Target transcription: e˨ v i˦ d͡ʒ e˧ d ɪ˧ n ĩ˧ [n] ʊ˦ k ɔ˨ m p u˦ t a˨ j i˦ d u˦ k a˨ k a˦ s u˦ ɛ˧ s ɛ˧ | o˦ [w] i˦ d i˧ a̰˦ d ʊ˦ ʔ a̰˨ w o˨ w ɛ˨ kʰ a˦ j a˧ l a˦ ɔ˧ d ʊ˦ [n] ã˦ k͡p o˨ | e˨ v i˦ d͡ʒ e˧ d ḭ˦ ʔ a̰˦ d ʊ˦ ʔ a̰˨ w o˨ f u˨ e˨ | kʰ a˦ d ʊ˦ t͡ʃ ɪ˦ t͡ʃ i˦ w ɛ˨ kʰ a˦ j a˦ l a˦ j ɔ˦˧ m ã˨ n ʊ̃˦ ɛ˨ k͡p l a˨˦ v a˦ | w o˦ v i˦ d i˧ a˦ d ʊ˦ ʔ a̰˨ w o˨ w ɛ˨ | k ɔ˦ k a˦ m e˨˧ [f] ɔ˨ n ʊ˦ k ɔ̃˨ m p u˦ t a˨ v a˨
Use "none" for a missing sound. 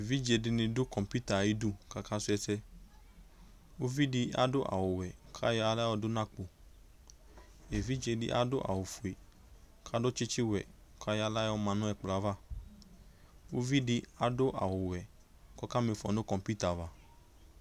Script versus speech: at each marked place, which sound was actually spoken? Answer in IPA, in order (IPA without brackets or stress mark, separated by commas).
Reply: d, v, n, f